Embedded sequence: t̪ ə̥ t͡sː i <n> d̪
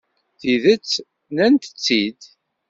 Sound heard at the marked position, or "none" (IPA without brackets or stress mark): none